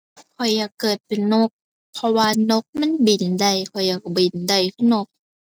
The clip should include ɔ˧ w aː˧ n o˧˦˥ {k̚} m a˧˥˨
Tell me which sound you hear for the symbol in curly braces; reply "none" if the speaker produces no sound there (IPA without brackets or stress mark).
k̚